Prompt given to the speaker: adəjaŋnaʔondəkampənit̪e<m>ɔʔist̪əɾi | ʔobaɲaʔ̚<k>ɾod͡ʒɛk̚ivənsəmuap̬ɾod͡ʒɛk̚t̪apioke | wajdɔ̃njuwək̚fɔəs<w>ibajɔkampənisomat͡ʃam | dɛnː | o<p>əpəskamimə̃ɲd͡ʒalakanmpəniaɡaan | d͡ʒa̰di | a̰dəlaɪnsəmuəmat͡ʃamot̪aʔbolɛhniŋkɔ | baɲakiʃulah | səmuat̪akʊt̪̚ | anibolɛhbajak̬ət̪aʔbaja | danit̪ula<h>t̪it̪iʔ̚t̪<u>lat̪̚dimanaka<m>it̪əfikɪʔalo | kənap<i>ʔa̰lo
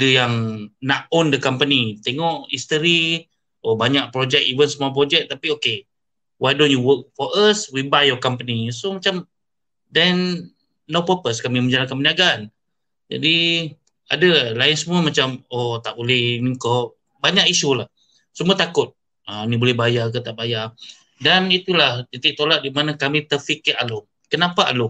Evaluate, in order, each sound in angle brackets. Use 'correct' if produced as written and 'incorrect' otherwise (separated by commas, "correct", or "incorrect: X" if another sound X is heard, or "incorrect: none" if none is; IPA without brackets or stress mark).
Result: incorrect: ŋ, incorrect: p, correct, correct, correct, incorrect: o, correct, incorrect: a